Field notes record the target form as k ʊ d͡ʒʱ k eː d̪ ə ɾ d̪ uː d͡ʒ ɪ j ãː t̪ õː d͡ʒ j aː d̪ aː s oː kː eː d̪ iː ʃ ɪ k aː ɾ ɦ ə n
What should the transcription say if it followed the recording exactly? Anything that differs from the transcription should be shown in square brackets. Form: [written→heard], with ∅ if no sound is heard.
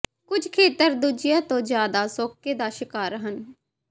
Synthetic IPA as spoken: k ʊ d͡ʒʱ [k→kʰ] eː [d̪→t̪] ə ɾ d̪ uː d͡ʒ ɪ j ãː t̪ õː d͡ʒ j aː d̪ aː s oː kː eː d̪ [iː→aː] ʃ ɪ k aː ɾ ɦ ə n